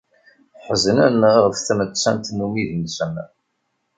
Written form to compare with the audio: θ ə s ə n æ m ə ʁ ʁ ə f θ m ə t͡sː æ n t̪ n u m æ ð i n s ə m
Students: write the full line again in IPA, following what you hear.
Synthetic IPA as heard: ħ ə z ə n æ n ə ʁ ʁ ə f θ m ə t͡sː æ n t̪ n u m i ð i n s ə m